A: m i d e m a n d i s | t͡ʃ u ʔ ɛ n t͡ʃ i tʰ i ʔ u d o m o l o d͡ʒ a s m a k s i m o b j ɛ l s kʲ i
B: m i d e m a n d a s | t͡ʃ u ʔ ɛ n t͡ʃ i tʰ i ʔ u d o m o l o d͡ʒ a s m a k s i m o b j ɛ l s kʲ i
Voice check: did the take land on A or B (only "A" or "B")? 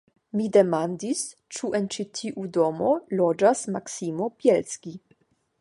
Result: A